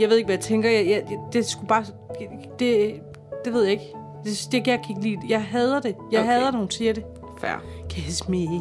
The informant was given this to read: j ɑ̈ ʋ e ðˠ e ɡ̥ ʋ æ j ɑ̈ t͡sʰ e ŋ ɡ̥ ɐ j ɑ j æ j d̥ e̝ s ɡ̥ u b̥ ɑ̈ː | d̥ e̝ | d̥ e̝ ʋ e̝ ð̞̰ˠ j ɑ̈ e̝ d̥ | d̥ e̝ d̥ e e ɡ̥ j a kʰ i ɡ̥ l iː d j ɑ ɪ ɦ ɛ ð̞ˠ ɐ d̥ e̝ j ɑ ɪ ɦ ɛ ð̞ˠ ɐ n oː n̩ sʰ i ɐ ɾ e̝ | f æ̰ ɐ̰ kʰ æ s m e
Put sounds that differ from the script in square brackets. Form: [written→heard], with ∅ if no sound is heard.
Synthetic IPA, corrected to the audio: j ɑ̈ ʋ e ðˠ e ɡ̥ ʋ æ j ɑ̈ t͡sʰ e ŋ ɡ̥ ɐ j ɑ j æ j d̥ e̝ s ɡ̥ u b̥ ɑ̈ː | d̥ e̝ | d̥ e̝ ʋ e̝ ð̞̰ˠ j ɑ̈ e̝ [d̥→ɡ̥] | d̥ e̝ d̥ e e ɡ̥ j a kʰ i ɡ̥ l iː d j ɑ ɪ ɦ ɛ ð̞ˠ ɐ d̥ e̝ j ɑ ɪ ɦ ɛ ð̞ˠ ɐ n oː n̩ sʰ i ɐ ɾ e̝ | f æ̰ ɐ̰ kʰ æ s m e